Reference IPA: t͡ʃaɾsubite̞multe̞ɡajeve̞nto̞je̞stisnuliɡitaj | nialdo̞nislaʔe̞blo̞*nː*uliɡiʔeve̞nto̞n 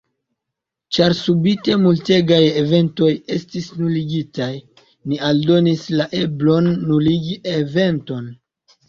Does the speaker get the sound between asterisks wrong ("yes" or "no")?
no